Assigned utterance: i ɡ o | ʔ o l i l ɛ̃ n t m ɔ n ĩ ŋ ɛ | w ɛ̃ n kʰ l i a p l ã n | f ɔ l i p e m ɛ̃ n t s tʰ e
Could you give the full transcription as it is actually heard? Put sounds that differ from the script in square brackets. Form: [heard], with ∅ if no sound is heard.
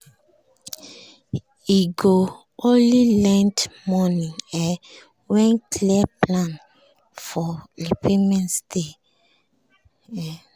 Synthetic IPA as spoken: i ɡ o | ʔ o l i l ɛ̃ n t m ɔ n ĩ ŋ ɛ | w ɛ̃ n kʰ l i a p l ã n | f ɔ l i p e m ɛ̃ n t s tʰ e